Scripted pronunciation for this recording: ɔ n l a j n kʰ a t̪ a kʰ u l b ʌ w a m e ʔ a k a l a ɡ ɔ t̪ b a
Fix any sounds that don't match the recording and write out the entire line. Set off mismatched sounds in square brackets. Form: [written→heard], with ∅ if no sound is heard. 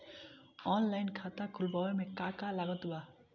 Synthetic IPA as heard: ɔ n l a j n kʰ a t̪ a kʰ u l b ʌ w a m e [ʔ→k] a k a l a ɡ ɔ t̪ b a